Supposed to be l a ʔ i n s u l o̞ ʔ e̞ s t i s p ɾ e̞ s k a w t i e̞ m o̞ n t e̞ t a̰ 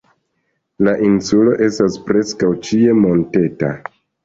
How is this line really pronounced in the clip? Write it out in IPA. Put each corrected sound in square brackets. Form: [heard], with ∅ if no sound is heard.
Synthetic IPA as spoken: l a ʔ i n s u l o̞ ʔ e̞ s t [a] s p ɾ e̞ s k a w [t͡ʃ] i e̞ m o̞ n t e̞ t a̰

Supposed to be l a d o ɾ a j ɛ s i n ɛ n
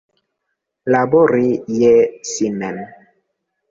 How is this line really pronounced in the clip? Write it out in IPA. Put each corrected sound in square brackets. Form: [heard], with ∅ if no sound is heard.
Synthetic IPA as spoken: l a [b] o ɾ [i] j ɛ s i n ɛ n

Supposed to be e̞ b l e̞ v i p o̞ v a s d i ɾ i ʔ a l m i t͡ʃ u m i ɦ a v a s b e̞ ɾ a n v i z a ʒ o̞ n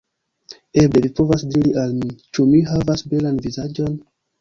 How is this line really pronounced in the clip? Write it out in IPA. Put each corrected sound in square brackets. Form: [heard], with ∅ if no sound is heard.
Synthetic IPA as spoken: e̞ b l e̞ v i p o̞ v a s d i ɾ i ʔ a l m i t͡ʃ u m i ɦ a v a s b e̞ [l] a n v i z a [d͡ʒ] o̞ n

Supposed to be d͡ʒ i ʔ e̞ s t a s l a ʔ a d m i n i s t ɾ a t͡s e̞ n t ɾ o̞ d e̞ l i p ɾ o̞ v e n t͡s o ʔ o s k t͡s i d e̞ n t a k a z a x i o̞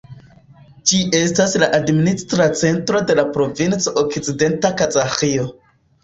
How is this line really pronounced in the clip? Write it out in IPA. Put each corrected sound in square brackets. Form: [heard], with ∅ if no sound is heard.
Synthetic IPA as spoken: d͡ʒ i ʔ e̞ s t a s l a ʔ a d m i n i s t ɾ a t͡s e̞ n t ɾ o̞ d e̞ l [a] p ɾ o̞ v [i] n t͡s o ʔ o [∅] k t͡s i d e̞ n t a k a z a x i o̞

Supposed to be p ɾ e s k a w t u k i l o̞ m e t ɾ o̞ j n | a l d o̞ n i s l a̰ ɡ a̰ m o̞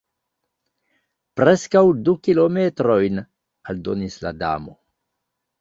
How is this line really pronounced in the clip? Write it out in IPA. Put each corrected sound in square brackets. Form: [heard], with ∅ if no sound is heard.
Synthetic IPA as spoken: p ɾ e s k a w [d] u k i l o̞ m e t ɾ o̞ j n | a l d o̞ n i s l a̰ [d] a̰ m o̞

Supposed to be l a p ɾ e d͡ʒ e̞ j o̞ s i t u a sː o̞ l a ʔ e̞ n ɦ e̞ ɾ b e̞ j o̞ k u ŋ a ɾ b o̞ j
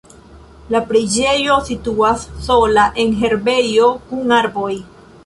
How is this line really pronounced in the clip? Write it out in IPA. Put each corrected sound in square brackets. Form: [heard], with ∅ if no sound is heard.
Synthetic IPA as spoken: l a p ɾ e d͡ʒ e̞ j o̞ s i t u a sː o̞ l a ʔ e̞ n ɦ e̞ ɾ b e̞ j o̞ k u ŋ a ɾ b o̞ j

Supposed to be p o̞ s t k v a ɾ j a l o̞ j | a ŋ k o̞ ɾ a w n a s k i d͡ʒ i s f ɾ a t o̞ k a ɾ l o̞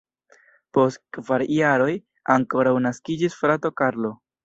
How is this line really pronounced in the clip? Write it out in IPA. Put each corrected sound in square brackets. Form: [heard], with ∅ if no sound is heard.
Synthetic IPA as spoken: p o̞ s t k v a ɾ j a [ɾ] o̞ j | a ŋ k o̞ ɾ a w n a s k i d͡ʒ i s f ɾ a t o̞ k a ɾ l o̞

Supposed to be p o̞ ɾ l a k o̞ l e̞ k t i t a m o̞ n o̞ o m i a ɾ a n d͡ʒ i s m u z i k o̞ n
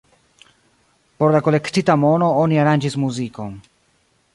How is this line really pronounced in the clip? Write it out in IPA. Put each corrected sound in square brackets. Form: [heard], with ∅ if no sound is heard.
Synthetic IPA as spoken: p o̞ ɾ l a k o̞ l e̞ k t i t a m o̞ n o̞ o [n] i a ɾ a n d͡ʒ i s m u z i k o̞ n

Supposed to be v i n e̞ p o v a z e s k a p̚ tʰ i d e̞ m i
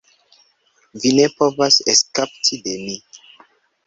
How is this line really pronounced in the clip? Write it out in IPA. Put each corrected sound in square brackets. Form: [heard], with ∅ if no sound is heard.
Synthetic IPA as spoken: v i n e̞ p o v a [s] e s k a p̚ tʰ i d e̞ m i

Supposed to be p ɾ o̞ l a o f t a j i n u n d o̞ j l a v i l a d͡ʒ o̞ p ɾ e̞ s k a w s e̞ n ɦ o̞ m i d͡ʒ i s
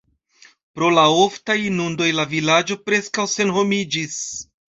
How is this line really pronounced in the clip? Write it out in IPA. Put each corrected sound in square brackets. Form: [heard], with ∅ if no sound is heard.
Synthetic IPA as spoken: p ɾ o̞ l a o f t a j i n u n d o̞ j l a v i l a d͡ʒ o̞ p ɾ e̞ s k a w s e̞ n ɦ o̞ m i d͡ʒ i s

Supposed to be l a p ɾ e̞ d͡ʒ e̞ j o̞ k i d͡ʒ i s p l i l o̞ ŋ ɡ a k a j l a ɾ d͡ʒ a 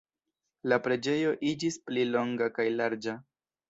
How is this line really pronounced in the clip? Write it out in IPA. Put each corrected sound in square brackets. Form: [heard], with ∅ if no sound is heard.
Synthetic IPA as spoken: l a p ɾ e̞ d͡ʒ e̞ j o̞ [ʔ] i d͡ʒ i s p l i l o̞ ŋ ɡ a k a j l a ɾ d͡ʒ a

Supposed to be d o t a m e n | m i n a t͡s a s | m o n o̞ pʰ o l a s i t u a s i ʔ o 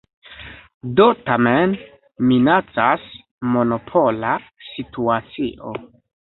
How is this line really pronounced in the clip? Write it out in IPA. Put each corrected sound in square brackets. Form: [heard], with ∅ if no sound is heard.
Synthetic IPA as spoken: d o t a m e n | m i n a t͡s a s | m o n o̞ pʰ o l a s i t u a [t͡s] i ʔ o

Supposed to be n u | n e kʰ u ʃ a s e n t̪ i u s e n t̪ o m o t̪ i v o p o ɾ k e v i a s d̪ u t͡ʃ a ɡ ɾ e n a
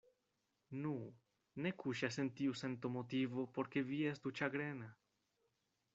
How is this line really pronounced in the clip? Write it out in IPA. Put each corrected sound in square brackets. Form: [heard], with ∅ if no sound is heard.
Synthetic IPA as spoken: n u | n e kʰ u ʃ a s e n t̪ i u s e n t̪ o m o t̪ i v o p o ɾ k e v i [e] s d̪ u t͡ʃ a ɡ ɾ e n a

